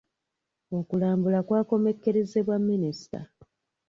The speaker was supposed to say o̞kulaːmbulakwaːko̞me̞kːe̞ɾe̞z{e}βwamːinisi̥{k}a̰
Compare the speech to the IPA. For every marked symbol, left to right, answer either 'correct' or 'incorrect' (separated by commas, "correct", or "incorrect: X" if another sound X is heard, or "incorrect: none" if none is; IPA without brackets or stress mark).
correct, incorrect: t